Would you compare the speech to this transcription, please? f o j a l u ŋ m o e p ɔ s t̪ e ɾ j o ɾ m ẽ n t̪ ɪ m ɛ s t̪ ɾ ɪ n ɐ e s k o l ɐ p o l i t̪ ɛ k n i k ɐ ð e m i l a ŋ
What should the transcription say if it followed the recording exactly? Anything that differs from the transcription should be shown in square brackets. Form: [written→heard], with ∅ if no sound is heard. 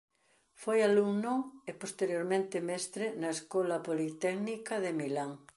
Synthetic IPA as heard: f o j a l u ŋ [m→n] o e p [ɔ→o] s t̪ e ɾ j o ɾ m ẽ n t̪ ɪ m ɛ s t̪ ɾ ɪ n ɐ e s k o l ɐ p o l i t̪ ɛ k n i k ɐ ð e m i l a ŋ